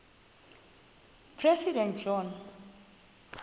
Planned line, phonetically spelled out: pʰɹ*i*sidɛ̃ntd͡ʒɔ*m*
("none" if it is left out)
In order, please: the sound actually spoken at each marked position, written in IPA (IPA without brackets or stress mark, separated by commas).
ɛ, n